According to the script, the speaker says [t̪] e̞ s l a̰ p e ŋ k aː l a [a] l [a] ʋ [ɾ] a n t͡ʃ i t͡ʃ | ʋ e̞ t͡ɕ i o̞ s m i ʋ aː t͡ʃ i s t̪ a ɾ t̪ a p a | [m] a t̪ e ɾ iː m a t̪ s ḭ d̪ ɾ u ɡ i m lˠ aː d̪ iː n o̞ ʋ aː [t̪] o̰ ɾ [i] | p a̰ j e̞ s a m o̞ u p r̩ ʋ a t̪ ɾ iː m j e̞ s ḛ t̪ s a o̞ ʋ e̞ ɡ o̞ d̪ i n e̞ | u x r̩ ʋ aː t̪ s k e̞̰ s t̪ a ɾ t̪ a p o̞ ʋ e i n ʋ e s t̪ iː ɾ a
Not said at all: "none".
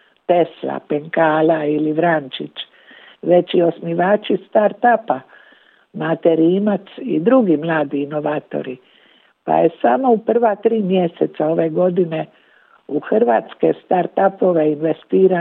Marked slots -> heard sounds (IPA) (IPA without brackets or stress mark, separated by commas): t̪, i, i, ɾ, m, t̪, i